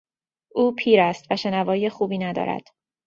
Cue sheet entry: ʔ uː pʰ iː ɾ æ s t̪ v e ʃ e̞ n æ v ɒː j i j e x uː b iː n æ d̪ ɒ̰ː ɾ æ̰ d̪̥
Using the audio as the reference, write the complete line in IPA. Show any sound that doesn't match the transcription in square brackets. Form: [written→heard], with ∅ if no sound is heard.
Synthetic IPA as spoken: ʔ uː pʰ iː ɾ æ s t̪ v [e→æ] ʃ e̞ n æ v ɒː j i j e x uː b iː n æ d̪ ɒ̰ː ɾ æ̰ d̪̥